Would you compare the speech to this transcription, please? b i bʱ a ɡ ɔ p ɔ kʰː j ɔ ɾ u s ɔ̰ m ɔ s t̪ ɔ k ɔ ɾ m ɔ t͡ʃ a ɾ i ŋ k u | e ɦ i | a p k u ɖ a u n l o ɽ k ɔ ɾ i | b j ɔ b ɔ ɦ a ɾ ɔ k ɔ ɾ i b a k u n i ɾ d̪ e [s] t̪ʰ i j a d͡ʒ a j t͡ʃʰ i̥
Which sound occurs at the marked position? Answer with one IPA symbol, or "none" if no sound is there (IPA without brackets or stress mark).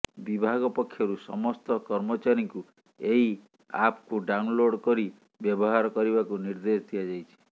s